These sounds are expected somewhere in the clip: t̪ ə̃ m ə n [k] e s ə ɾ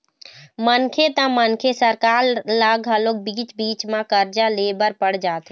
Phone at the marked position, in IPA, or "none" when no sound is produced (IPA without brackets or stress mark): kʰ